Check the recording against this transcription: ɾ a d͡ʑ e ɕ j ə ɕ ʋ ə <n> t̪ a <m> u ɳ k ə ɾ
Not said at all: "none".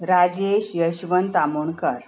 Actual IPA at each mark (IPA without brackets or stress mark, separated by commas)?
n, m